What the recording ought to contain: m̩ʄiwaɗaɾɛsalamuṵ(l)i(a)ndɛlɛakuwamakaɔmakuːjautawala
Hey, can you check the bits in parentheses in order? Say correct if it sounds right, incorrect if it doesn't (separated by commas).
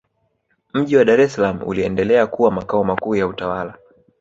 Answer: correct, incorrect